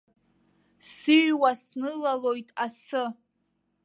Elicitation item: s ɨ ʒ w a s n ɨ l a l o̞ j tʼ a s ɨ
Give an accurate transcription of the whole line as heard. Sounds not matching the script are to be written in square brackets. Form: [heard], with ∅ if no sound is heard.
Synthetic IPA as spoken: s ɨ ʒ w a s n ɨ l a l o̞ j tʼ a s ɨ